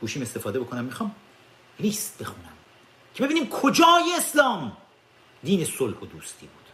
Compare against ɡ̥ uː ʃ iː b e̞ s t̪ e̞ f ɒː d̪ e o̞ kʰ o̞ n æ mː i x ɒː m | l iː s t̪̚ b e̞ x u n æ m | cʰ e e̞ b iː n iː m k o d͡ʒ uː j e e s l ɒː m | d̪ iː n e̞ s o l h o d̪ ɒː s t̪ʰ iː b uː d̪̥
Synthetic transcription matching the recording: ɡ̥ uː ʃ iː m e̞ s t̪ e̞ f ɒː d̪ e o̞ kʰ o̞ n æ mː i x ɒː m | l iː s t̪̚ b e̞ x u n æ m | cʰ e e̞ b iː n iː m kʰ o d͡ʒ ɒː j e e s l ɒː m | d̪ iː n e̞ s o l h o d̪ uː s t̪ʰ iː b uː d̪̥